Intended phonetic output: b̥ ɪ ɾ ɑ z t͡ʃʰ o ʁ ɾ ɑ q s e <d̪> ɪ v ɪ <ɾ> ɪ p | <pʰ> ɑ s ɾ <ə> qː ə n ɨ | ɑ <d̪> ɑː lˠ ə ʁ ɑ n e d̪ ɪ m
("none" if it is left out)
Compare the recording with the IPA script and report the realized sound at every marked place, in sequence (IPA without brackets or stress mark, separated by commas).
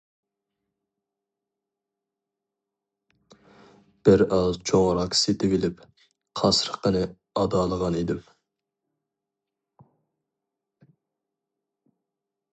t̪, l, qʰ, ə, d̪